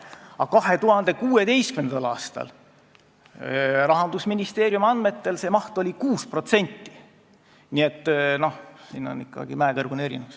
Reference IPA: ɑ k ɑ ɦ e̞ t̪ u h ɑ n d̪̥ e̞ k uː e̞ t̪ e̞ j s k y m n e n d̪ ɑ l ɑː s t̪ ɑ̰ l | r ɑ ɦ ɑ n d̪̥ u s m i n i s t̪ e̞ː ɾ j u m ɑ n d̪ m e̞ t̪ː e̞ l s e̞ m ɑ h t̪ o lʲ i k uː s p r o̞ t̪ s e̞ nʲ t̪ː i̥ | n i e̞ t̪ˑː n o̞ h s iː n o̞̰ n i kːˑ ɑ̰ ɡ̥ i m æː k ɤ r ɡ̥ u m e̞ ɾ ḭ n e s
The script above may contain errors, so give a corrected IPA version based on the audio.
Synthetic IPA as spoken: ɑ k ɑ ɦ e̞ t̪ u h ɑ n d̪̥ e̞ k uː e̞ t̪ e̞ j s k y m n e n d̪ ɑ l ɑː s t̪ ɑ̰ l | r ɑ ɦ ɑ n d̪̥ u s m i n i s t̪ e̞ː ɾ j u m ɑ n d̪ m e̞ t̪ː e̞ l s e̞ m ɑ h t̪ o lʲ i k uː s p r o̞ t̪ s e̞ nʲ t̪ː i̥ | n i e̞ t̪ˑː n o̞ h s iː n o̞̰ n i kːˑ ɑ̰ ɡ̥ i m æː k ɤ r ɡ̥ u n e̞ ɾ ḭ n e s